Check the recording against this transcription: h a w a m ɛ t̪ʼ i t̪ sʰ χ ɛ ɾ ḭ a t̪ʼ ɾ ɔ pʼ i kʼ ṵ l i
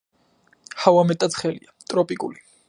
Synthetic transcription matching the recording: h a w a m ɛ t̪ʼ a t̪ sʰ χ ɛ l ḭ a t̪ʼ ɾ ɔ pʼ i kʼ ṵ l i